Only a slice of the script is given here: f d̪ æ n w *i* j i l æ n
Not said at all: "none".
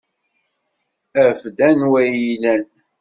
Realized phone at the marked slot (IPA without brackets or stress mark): æ